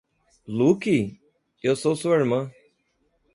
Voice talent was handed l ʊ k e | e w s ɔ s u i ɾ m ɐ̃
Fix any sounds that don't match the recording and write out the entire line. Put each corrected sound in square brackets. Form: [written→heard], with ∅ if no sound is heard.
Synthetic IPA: l [ʊ→u] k [e→i] | e w s [ɔ→o] s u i ɾ m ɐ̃

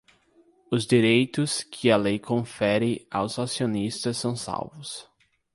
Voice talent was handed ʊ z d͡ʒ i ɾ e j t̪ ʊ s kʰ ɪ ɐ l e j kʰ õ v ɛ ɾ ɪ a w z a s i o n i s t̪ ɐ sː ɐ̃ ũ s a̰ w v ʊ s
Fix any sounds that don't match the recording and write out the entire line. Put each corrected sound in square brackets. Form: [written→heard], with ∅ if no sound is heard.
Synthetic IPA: ʊ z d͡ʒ i ɾ e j t̪ ʊ s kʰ ɪ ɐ l e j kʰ õ [v→f] ɛ ɾ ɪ a w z a s i o n i s t̪ ɐ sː ɐ̃ [ũ→w̃] s a̰ w v ʊ s

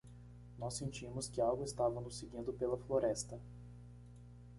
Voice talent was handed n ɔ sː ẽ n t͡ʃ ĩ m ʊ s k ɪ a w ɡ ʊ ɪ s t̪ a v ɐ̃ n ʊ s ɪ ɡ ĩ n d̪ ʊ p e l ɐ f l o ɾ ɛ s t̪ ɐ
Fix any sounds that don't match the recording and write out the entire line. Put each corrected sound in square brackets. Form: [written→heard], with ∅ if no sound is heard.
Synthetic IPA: n ɔ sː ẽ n t͡ʃ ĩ m ʊ s k ɪ a w ɡ ʊ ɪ s t̪ a v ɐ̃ n ʊ s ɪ ɡ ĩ n d̪ ʊ p e l ɐ f l o ɾ ɛ s t̪ ɐ

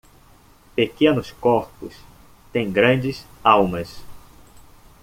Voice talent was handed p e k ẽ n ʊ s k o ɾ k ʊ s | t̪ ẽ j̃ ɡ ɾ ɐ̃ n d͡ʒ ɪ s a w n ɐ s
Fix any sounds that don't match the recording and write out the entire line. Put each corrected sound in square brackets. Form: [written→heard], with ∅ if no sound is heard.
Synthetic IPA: p e k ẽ n ʊ s k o ɾ [k→p] ʊ s | t̪ ẽ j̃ ɡ ɾ ɐ̃ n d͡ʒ ɪ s a w [n→m] ɐ s

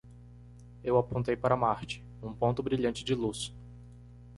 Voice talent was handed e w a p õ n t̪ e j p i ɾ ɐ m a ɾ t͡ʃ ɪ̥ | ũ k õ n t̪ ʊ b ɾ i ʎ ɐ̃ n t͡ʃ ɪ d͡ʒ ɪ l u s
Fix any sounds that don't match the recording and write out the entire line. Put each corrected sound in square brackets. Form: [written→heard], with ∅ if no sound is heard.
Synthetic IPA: e w a p õ n t̪ e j p [i→a] ɾ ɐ m a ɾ t͡ʃ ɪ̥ | ũ [k→p] õ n t̪ ʊ b ɾ i ʎ ɐ̃ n t͡ʃ ɪ d͡ʒ ɪ l u s

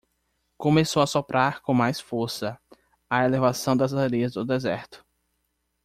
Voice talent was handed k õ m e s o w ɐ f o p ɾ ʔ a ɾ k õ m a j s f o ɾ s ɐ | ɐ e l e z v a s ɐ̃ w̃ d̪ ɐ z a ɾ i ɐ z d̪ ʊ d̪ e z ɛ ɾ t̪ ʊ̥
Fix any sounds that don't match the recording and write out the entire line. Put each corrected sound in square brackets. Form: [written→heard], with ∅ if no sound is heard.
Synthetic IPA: k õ m e s o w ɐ [f→s] o p ɾ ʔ a ɾ k õ m a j s f o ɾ s ɐ | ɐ e l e [z→∅] v a s ɐ̃ w̃ d̪ ɐ z a ɾ i ɐ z d̪ ʊ d̪ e z ɛ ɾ t̪ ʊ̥

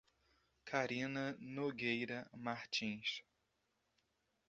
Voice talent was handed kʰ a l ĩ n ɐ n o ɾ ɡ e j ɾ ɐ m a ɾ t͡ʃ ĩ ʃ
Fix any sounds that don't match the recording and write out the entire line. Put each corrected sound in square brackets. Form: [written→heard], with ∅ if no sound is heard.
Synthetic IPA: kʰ a [l→ɾ] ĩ n ɐ n o [ɾ→∅] ɡ e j ɾ ɐ m a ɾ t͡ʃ ĩ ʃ

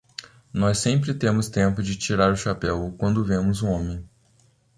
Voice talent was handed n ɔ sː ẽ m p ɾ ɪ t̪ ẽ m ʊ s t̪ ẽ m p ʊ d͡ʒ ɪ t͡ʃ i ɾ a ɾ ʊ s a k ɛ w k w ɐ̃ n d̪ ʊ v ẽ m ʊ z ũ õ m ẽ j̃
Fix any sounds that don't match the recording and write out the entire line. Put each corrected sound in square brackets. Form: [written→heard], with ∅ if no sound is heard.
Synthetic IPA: n ɔ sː ẽ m p ɾ ɪ t̪ ẽ m ʊ s t̪ ẽ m p ʊ d͡ʒ ɪ t͡ʃ i ɾ a ɾ ʊ [s→ʃ] a [k→p] ɛ w k w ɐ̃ n d̪ ʊ v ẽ m ʊ z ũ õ m ẽ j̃

